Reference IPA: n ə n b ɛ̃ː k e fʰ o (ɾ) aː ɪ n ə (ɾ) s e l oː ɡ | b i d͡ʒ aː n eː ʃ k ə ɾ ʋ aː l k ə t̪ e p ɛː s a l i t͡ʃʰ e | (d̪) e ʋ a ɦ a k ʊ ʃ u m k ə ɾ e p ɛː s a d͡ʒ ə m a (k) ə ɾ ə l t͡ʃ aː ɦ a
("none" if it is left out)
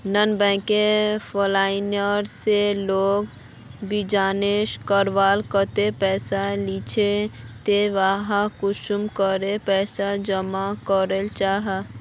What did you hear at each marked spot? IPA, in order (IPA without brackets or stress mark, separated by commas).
l, ɾ, t̪, k